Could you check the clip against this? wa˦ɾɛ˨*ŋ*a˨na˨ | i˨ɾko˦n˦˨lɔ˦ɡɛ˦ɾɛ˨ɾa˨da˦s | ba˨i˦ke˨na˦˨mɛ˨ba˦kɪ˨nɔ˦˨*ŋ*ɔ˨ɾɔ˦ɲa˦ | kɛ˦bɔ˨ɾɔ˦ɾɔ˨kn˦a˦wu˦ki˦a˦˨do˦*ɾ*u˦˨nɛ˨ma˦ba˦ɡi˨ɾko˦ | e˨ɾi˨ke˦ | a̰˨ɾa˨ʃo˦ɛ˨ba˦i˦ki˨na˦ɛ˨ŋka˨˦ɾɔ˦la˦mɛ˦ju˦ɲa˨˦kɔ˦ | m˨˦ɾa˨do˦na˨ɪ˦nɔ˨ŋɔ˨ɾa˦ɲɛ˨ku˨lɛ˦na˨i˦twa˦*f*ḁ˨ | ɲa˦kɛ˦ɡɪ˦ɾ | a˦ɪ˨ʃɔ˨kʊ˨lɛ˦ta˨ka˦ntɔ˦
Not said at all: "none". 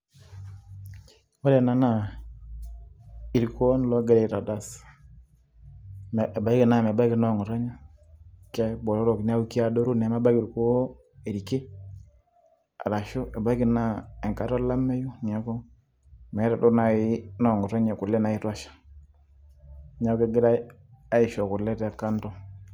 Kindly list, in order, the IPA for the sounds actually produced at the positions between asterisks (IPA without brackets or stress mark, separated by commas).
n, ŋ, ɾ, ʃ